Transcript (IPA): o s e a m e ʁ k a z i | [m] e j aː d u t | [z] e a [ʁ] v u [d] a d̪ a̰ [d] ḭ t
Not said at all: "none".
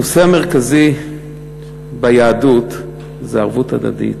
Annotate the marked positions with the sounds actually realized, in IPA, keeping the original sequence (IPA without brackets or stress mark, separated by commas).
b, z, ʁ, t, d